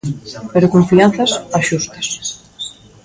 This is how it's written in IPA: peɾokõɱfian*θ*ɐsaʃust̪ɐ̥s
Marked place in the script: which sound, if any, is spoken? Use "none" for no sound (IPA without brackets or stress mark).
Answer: θ